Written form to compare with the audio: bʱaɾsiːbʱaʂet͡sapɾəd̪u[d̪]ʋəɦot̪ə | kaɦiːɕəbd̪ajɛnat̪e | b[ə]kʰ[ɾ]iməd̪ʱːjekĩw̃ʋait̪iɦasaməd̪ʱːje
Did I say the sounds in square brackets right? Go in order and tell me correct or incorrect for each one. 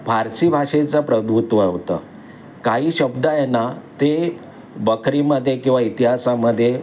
incorrect, correct, correct

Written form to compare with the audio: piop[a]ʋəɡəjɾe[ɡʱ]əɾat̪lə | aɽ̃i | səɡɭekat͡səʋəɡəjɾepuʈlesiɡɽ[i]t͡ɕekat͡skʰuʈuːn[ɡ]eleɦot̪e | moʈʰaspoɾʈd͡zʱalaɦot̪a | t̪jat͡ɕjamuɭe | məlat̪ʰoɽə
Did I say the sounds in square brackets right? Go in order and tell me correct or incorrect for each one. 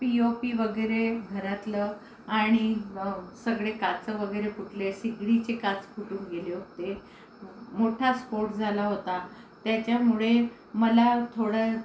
incorrect, correct, correct, correct

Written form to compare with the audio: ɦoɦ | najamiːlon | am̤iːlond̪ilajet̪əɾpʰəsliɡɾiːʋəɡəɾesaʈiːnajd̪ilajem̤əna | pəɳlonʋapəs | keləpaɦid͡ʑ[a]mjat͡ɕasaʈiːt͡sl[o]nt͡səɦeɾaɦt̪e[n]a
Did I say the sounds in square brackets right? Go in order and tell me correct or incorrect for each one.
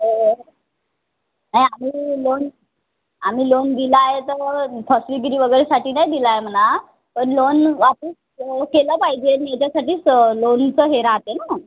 incorrect, correct, correct

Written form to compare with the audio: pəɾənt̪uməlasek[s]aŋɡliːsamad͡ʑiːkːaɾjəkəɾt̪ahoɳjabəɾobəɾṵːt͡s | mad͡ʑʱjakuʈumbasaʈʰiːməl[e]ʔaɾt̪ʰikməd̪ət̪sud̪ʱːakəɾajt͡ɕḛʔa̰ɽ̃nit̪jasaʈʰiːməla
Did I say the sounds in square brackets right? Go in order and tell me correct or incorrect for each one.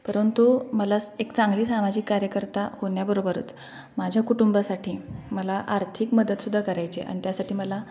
incorrect, incorrect

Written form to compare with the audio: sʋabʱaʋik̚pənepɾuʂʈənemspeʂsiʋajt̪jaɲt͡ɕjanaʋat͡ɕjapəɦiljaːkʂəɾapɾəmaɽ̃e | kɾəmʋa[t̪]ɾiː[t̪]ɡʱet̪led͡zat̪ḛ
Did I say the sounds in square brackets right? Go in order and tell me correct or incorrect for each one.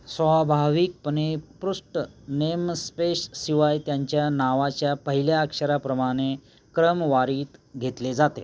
incorrect, correct

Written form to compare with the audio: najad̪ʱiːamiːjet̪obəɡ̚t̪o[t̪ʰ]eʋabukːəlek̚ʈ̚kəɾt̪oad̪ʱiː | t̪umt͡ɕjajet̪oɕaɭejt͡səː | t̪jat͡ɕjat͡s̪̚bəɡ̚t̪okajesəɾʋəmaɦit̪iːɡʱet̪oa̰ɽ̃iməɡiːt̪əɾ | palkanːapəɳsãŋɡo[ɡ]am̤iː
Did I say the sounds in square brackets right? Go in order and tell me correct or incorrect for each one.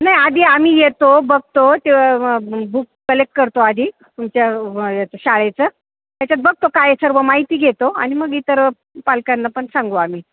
incorrect, incorrect

